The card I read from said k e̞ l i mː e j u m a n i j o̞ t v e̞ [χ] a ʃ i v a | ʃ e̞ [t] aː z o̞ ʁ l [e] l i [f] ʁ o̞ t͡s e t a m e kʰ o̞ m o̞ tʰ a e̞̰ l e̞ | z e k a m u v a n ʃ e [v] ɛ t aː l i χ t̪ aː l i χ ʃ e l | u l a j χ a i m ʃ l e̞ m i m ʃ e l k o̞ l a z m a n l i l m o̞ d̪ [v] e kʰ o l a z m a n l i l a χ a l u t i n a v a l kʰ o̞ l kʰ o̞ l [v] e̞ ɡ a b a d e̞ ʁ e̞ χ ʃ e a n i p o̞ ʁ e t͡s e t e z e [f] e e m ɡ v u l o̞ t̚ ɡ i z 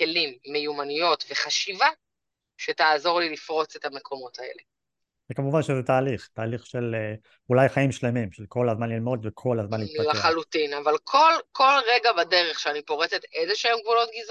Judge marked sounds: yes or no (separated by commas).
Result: yes, yes, no, yes, no, yes, no, no